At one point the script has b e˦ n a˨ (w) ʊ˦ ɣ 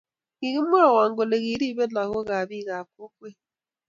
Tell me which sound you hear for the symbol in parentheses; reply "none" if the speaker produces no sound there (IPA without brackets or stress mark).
ɣ